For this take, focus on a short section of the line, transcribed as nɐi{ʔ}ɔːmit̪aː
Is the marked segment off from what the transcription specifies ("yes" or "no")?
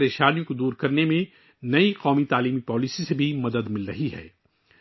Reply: yes